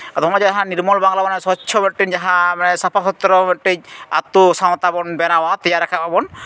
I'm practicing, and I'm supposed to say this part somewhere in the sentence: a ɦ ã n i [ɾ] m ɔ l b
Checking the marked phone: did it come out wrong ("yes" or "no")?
no